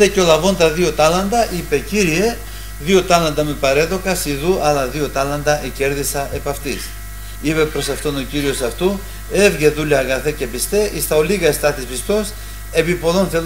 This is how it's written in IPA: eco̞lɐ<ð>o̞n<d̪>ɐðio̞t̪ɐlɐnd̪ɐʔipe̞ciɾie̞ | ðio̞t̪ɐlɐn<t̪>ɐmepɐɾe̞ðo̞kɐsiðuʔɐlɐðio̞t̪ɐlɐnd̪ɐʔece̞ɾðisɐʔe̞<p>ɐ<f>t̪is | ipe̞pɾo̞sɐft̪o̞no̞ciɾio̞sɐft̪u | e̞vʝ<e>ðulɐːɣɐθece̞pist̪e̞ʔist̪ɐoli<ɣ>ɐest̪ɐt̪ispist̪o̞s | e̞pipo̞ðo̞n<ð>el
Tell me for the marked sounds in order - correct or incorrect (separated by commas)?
incorrect, incorrect, incorrect, correct, correct, correct, correct, incorrect